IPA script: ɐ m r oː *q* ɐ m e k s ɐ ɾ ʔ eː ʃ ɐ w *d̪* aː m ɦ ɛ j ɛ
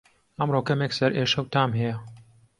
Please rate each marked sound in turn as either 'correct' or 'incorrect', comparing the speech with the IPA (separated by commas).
incorrect, incorrect